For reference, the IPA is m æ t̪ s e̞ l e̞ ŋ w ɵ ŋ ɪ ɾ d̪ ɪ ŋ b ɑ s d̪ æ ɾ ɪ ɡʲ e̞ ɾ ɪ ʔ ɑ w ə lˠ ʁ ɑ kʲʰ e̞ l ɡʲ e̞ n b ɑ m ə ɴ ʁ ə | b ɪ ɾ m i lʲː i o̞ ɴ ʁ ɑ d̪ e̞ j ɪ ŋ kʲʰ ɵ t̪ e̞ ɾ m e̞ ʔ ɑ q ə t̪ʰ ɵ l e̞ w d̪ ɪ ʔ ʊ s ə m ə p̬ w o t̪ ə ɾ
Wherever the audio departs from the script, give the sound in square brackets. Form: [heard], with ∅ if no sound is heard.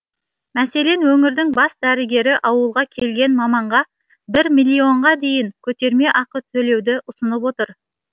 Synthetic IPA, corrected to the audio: m æ [∅] s e̞ l e̞ [n] w ɵ ŋ ɪ ɾ d̪ ɪ ŋ b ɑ s d̪ æ ɾ ɪ ɡʲ e̞ ɾ ɪ ʔ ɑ w ə lˠ ʁ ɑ kʲʰ e̞ l ɡʲ e̞ n [m] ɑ m [ɑ] ɴ ʁ [ɑ] | b ɪ ɾ m i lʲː i o̞ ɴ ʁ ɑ d̪ e̞ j ɪ ŋ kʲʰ ɵ t̪ e̞ ɾ m e̞ ʔ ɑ q ə t̪ʰ ɵ l e̞ w d̪ ɪ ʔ ʊ s ə [n] ə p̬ w o t̪ ə ɾ